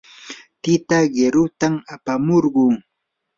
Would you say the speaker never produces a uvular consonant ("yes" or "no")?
no